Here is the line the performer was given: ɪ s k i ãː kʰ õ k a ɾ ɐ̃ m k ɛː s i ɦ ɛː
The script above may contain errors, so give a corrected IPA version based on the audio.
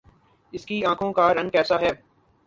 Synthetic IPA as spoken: ɪ s k i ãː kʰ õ k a ɾ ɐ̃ n k ɛː s a ɦ ɛː

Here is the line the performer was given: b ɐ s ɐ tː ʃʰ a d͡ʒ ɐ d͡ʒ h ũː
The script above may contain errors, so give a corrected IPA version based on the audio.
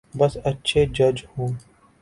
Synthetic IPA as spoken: b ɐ s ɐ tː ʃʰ e d͡ʒ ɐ d͡ʒ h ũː

